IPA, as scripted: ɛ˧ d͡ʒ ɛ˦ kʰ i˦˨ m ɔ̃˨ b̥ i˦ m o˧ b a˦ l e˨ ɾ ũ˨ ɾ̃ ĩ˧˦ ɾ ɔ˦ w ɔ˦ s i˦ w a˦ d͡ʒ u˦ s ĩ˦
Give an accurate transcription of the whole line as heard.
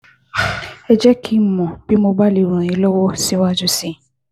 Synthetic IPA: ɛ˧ d͡ʒ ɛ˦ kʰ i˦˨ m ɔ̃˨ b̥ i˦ m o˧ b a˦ l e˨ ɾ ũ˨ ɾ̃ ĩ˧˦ l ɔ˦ w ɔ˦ s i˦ w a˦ d͡ʒ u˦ s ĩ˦